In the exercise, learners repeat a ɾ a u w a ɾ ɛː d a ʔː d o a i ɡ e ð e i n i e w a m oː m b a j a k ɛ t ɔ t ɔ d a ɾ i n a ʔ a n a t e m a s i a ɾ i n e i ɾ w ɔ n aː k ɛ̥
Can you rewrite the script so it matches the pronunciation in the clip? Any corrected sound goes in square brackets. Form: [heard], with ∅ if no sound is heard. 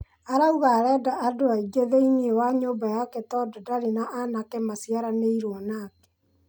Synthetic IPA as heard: a ɾ a u [ɣ] a ɾ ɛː d a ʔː d o a i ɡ e ð e i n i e w a [ɲ] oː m b a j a k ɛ t ɔ [d] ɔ d a ɾ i n a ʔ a n a [k] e m a s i a ɾ [a] n e i ɾ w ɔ n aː k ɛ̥